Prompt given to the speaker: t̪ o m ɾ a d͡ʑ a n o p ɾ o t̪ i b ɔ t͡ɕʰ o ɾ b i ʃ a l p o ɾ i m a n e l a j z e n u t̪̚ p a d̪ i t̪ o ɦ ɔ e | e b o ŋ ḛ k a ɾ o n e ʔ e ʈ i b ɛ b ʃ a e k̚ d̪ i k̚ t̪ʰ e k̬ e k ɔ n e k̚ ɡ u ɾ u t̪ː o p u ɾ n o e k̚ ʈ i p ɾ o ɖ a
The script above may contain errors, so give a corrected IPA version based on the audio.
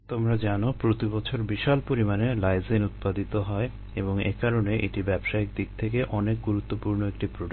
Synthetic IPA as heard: t̪ o m ɾ a d͡ʑ a n o p ɾ o t̪ i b ɔ t͡ɕʰ o ɾ b i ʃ a l p o ɾ i m a n e l a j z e n u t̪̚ p a d̪ i t̪ o ɦ ɔ e | e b o ŋ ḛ k a ɾ o n e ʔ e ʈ i b ɛ b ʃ a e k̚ d̪ i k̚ t̪ʰ e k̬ e ʔ ɔ n e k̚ ɡ u ɾ u t̪ː o p u ɾ n o e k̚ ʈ i p ɾ o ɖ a